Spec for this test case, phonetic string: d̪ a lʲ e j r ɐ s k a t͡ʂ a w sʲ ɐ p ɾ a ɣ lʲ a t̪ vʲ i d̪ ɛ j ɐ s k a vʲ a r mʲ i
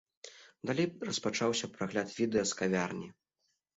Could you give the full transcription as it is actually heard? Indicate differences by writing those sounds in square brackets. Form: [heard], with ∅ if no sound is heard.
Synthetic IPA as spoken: d̪ a lʲ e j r ɐ s [p] a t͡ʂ a w sʲ ɐ p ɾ a ɣ lʲ a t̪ vʲ i d̪ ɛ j ɐ s k a vʲ a r [nʲ] i